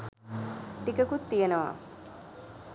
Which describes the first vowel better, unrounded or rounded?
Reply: unrounded